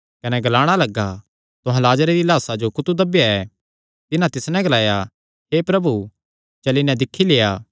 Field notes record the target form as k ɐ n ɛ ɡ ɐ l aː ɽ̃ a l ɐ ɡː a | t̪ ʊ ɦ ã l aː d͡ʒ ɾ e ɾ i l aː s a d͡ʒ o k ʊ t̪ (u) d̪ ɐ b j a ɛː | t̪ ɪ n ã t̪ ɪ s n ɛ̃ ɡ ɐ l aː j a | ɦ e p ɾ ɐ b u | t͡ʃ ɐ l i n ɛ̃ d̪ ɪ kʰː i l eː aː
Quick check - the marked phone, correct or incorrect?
correct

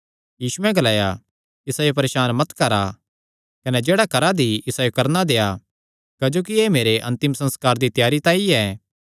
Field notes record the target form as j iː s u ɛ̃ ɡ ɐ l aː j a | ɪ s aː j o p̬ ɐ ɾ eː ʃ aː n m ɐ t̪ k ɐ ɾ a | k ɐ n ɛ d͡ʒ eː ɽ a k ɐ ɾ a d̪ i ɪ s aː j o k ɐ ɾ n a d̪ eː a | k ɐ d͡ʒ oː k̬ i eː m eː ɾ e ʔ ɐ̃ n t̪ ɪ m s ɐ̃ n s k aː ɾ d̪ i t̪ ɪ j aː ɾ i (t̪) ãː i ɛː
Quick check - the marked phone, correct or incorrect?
correct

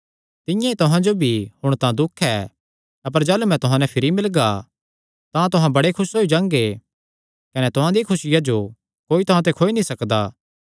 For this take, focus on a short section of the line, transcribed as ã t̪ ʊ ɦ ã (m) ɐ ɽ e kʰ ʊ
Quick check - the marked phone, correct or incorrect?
incorrect: b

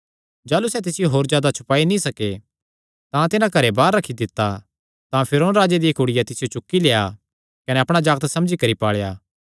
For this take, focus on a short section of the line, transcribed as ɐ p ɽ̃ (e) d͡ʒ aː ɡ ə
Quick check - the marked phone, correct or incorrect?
incorrect: a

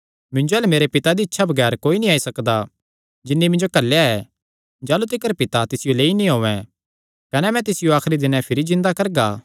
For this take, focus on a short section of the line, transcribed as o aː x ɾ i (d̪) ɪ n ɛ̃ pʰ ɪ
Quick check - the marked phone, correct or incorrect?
correct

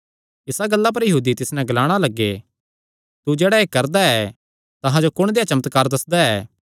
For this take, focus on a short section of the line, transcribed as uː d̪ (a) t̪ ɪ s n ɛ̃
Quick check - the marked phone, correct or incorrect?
incorrect: i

